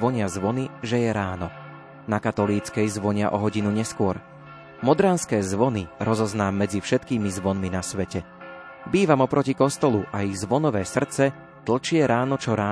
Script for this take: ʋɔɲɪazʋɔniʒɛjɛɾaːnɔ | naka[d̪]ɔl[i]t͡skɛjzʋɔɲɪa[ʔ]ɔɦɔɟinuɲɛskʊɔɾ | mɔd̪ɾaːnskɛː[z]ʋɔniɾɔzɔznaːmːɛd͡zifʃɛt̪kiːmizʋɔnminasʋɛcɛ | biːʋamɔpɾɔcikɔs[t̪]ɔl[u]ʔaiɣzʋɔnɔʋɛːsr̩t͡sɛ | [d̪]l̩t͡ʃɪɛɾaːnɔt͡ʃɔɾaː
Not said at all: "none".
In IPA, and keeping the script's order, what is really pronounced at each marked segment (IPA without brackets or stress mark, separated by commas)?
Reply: t̪, iː, ʔ, z, t̪, u, t̪